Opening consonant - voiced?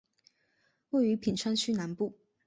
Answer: yes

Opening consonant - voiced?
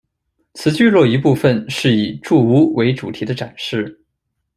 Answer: no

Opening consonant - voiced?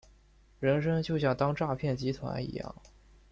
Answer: yes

